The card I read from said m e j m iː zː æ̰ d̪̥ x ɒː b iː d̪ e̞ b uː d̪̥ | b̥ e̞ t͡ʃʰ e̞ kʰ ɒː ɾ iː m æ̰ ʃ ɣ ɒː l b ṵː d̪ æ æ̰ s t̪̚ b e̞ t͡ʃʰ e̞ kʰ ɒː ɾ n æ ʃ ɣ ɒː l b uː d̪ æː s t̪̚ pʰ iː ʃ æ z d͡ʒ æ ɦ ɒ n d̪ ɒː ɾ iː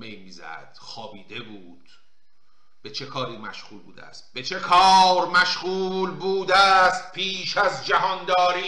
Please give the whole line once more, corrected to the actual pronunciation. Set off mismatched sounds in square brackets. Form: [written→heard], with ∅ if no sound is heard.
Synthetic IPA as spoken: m e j m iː [zː→z] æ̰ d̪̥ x ɒː b iː d̪ e̞ b uː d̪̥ | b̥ e̞ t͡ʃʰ e̞ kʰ ɒː ɾ iː m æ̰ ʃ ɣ [ɒː→uː] l b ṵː d̪ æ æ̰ s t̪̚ b e̞ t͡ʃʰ e̞ kʰ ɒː ɾ [n→m] æ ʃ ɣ [ɒː→uː] l b uː d̪ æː s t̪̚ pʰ iː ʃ æ z d͡ʒ æ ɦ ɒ n d̪ ɒː ɾ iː